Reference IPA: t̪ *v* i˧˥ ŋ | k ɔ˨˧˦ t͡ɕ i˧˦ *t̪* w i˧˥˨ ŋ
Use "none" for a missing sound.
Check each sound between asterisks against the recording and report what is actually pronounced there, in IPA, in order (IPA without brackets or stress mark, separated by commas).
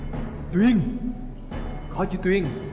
w, t̪